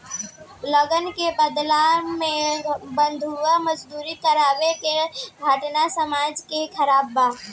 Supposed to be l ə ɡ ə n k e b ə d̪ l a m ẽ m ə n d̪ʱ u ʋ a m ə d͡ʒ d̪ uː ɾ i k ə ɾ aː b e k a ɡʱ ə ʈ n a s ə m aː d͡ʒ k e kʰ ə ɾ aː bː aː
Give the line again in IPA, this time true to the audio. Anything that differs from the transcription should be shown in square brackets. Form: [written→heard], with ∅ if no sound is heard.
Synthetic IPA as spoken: l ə ɡ ə n k e b ə d̪ l a m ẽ [m→b] ə n d̪ʱ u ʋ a m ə d͡ʒ d̪ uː ɾ i k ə ɾ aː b e k [a→e] ɡʱ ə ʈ n a s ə m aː d͡ʒ k e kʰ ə ɾ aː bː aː